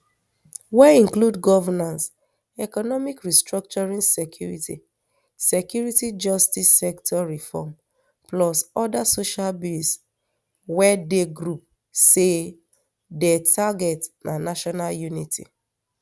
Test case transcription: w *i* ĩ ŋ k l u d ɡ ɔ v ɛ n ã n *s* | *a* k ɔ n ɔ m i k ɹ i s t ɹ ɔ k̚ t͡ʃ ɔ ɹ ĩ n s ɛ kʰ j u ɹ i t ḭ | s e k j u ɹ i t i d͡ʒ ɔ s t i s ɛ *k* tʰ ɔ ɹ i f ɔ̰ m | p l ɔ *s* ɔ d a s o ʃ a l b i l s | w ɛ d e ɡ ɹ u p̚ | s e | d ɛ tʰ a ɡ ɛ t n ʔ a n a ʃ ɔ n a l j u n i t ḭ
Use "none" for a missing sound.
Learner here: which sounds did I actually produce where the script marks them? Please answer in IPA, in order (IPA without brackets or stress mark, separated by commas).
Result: ɛ, s, ɛ, k, s